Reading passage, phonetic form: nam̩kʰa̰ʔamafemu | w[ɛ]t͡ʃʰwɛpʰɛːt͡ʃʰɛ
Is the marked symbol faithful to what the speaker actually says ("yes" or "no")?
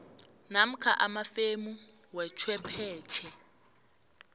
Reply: yes